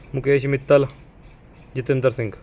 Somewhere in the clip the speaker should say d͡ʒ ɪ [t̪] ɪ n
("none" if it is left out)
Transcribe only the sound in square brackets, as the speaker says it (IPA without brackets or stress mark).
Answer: t̪